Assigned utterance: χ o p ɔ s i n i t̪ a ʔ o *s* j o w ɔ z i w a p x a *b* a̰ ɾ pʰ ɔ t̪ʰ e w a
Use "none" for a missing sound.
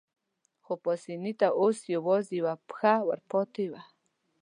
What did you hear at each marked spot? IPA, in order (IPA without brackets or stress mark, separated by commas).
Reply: s, w